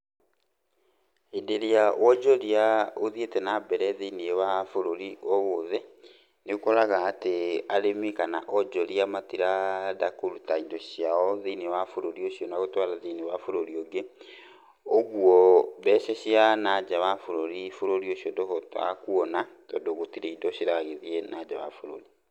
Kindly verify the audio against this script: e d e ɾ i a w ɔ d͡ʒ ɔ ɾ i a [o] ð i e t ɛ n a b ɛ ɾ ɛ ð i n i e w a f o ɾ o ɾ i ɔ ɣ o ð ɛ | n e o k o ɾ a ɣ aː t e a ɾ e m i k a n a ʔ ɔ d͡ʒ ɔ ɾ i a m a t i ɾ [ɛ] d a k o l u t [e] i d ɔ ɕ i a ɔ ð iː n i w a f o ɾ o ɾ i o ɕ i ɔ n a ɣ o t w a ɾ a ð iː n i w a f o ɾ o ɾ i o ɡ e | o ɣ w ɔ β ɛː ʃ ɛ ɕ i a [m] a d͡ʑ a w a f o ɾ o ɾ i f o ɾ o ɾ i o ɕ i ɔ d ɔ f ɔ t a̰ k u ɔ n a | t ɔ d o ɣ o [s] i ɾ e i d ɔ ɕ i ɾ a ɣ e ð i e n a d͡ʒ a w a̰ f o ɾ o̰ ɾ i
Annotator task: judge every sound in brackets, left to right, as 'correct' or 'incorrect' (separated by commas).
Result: correct, incorrect, incorrect, incorrect, incorrect